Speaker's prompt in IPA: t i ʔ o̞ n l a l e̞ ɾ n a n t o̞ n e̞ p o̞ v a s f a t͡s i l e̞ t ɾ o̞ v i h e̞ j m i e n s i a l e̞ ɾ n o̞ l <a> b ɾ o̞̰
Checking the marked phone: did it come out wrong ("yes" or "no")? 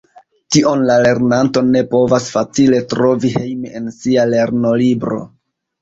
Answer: yes